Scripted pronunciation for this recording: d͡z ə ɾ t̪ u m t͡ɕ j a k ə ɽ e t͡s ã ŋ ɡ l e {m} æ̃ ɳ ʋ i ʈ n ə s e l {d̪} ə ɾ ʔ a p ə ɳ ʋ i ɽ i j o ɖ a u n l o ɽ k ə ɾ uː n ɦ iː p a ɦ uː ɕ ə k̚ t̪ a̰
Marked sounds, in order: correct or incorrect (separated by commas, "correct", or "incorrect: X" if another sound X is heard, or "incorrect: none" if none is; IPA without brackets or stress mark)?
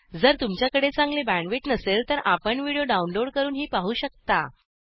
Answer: incorrect: b, incorrect: t̪